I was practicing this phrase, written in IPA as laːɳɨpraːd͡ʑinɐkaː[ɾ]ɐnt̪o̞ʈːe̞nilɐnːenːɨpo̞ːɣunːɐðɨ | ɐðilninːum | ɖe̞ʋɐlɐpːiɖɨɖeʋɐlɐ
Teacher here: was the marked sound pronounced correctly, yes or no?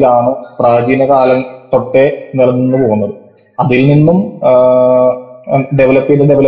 no